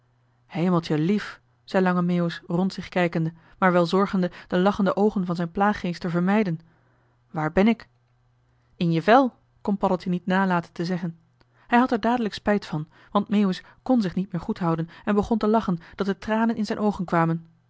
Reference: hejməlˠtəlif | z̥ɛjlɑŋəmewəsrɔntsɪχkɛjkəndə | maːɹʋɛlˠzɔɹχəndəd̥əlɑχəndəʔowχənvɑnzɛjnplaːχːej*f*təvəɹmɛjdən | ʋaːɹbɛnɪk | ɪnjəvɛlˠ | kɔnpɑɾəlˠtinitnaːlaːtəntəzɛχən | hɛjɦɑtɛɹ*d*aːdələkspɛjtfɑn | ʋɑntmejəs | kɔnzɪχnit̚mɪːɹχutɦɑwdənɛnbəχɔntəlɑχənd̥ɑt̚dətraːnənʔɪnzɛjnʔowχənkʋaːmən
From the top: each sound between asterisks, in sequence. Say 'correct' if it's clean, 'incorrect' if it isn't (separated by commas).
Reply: incorrect, correct